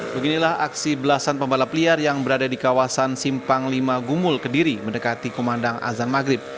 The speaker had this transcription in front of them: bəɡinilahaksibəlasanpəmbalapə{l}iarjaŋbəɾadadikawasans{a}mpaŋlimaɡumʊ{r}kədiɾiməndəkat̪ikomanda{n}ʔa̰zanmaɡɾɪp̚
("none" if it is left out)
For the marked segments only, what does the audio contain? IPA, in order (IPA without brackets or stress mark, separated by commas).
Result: l, i, l, ŋ